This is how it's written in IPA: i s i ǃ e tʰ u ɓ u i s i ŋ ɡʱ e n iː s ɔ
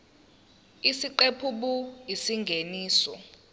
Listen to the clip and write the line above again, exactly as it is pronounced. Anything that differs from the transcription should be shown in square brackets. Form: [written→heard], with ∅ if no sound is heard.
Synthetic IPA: i s i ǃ e [tʰ→pʰ] u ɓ u i s i ŋ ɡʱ e n iː s ɔ